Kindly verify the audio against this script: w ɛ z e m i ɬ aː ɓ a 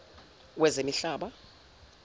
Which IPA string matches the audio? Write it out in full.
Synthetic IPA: w ɛ z e m i ɬ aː ɓ a

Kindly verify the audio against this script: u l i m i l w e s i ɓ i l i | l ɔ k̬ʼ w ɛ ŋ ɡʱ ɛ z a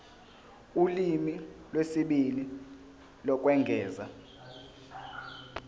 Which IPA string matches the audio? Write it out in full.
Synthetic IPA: u l i m i l w e s i ɓ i l i | l ɔ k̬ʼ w ɛ ŋ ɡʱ ɛː z a

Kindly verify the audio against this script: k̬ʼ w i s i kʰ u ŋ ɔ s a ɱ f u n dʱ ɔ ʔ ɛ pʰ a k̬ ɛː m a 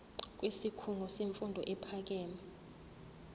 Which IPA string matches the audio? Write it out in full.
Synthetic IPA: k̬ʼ w i s i kʰ u ŋ ɔ s e ɱ f u n dʱ ɔ ʔ ɛ pʰ a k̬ ɛː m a

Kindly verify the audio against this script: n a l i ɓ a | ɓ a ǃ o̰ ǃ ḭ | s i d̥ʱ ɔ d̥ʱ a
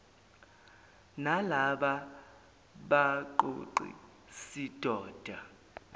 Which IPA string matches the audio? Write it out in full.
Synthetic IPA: n a l a ɓ a | ɓ a ǃ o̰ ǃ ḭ | s i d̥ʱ ɔː d̥ʱ a

